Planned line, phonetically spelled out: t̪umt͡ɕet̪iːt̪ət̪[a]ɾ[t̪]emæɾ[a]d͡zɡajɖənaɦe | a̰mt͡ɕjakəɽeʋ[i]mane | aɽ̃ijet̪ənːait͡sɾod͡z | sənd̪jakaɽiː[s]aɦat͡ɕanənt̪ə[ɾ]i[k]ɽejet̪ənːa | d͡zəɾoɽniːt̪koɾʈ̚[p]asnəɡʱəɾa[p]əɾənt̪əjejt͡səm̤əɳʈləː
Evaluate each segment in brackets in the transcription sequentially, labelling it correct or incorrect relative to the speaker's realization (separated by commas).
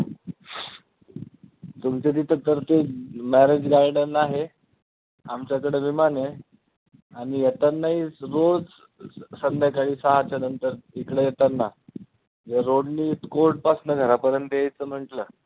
incorrect, correct, incorrect, correct, correct, correct, correct, correct, correct